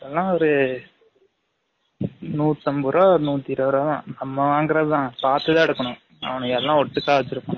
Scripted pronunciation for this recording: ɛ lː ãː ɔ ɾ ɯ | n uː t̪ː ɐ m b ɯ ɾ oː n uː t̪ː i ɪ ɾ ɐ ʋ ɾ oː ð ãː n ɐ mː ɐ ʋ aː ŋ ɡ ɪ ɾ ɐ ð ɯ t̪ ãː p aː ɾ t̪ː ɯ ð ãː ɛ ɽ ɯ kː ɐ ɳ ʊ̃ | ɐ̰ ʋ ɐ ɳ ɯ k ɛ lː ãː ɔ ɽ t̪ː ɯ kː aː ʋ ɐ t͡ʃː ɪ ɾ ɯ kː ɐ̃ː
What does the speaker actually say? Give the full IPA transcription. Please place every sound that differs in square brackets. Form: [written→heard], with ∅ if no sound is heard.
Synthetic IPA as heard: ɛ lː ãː ɔ ɾ ɯ | n uː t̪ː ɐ m b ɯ ɾ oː n uː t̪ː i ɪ ɾ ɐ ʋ ɾ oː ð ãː n ɐ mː ɐ ʋ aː ŋ ɡ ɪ ɾ ɐ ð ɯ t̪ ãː p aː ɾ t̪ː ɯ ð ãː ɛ ɽ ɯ kː ɐ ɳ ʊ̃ | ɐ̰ ʋ ɐ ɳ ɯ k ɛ lː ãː ɔ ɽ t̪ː ɯ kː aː ʋ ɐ t͡ʃː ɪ ɾ ɯ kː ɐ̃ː